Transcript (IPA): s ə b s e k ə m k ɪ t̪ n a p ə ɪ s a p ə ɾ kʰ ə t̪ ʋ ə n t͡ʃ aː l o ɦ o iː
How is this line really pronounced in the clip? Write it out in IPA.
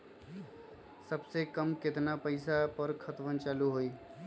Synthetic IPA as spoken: s ə b s e k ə m k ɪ t̪ n a p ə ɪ s a p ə ɾ kʰ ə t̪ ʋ ə n t͡ʃ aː l u ɦ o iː